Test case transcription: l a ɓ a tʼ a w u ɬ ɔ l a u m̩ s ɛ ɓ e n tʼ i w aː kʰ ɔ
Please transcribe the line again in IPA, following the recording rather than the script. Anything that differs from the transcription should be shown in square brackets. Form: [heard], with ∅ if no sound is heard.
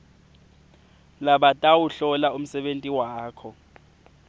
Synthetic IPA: l a ɓ a tʼ a w u ɬ ɔ l a u m̩ s ɛ ɓ e n tʼ i w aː kʰ ɔ